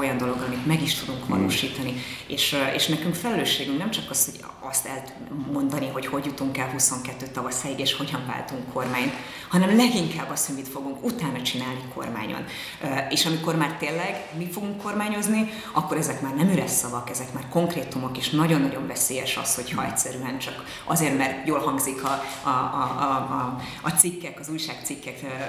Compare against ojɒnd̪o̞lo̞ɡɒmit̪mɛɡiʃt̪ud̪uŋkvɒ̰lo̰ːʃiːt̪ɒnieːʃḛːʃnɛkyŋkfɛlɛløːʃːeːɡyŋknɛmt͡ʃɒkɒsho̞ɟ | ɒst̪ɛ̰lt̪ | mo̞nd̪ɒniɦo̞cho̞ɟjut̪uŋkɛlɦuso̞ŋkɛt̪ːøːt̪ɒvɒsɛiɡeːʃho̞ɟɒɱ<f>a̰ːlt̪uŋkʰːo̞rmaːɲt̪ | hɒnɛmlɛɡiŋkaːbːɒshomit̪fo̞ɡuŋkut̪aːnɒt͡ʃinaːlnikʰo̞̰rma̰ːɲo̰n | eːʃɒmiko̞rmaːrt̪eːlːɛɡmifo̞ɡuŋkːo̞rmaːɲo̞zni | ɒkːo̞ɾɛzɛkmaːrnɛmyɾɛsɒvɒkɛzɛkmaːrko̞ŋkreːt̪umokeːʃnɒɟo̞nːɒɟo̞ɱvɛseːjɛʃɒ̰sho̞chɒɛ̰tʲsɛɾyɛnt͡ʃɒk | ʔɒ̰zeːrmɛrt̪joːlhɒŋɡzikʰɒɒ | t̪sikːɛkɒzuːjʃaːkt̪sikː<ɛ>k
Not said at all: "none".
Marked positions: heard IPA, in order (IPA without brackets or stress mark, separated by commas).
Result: v, ɛ